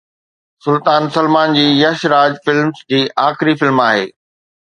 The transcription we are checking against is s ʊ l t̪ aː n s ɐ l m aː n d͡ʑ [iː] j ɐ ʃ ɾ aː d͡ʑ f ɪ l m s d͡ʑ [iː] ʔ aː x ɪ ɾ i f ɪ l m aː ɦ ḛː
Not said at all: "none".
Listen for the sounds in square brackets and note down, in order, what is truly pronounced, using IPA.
iː, iː

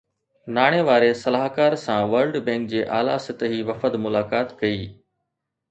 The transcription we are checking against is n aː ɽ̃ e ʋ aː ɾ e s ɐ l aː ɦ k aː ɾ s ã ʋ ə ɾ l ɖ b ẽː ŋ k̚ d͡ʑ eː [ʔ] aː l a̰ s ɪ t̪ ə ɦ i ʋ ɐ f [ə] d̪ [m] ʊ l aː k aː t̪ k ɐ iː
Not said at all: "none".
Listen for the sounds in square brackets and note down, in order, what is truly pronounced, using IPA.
ʔ, ə, m

